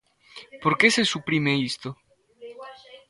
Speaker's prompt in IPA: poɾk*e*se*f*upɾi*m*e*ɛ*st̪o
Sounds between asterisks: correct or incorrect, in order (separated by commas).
correct, incorrect, correct, incorrect